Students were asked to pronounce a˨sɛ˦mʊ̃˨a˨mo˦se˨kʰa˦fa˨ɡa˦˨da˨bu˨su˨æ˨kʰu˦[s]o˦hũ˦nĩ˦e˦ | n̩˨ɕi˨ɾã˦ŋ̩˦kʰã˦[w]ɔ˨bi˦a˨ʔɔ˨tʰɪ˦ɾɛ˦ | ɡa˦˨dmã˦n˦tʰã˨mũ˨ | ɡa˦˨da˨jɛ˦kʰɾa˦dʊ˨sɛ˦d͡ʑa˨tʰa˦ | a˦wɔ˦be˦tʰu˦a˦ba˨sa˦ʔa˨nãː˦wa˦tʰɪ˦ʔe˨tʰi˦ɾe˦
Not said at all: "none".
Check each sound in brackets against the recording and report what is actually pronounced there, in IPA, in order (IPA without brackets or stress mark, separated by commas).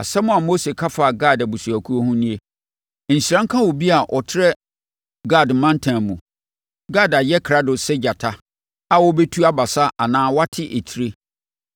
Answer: none, w